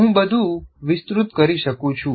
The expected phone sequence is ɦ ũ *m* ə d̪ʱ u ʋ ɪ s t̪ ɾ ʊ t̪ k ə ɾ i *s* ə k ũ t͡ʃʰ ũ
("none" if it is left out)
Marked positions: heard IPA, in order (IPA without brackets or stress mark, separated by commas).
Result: b, ʃ